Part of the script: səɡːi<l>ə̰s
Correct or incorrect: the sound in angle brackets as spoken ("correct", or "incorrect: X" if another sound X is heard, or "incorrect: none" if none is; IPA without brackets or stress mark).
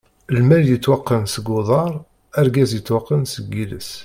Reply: correct